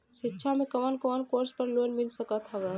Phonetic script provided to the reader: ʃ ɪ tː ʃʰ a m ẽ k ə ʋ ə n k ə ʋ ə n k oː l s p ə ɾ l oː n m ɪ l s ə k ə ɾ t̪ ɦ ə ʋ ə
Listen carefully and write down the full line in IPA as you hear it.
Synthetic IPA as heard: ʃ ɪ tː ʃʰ a m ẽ k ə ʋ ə n k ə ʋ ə n k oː ɾ s p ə ɾ l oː n m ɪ l s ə k ə t̪ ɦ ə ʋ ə